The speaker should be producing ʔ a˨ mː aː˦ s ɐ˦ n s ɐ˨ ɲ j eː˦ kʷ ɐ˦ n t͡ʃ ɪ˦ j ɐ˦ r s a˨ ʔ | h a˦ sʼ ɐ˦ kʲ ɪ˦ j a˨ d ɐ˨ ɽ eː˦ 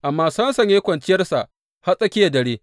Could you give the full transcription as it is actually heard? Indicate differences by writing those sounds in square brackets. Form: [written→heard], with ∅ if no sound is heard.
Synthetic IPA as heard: ʔ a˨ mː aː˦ s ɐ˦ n s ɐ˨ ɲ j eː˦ kʷ [ɐ˦→ɐ˨] n t͡ʃ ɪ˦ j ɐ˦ r s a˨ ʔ | h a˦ sʼ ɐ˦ kʲ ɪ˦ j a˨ d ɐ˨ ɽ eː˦